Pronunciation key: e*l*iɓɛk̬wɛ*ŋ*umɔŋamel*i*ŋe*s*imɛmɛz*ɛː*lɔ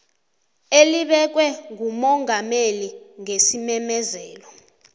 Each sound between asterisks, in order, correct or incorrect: correct, correct, correct, correct, correct

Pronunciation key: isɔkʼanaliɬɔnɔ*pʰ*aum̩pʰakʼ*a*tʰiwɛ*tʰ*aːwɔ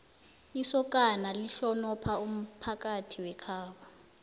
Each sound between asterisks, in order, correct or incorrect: correct, correct, incorrect

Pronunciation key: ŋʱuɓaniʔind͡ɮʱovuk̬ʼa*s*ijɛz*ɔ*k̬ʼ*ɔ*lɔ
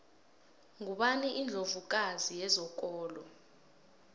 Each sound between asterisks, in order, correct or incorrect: incorrect, correct, incorrect

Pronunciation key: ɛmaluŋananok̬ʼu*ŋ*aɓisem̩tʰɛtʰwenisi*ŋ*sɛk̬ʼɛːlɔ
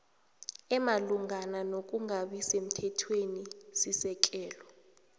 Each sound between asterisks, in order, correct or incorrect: correct, incorrect

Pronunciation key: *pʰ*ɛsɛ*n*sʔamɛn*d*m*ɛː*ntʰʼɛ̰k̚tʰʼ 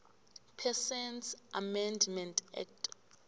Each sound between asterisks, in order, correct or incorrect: correct, correct, correct, incorrect

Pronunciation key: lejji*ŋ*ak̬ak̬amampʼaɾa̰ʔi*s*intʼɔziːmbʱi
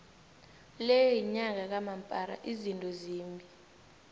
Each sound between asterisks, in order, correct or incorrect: incorrect, incorrect

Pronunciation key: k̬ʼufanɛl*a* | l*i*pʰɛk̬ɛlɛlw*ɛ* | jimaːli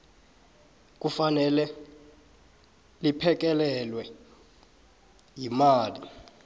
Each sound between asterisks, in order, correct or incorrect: incorrect, correct, correct

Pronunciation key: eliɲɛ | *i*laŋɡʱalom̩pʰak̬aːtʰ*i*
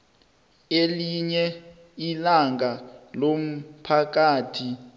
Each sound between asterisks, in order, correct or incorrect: correct, correct

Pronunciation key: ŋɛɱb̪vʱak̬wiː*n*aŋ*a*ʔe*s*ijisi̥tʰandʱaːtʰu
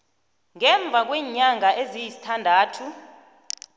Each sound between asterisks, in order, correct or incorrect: incorrect, correct, incorrect

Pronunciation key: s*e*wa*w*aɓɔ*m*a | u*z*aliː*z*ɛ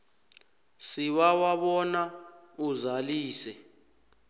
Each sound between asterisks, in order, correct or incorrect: incorrect, correct, incorrect, correct, incorrect

